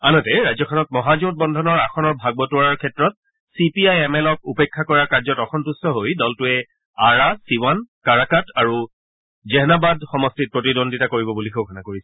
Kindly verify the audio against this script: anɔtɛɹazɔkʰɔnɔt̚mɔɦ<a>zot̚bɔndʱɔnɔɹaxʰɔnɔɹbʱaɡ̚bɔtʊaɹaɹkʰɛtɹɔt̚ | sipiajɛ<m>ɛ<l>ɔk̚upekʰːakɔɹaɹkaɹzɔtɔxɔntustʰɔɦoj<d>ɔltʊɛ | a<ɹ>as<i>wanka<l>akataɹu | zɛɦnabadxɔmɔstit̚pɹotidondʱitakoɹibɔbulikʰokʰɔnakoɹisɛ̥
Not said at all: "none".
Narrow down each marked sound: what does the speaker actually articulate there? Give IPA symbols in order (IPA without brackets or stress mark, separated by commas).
a, m, l, d, ɹ, i, ɹ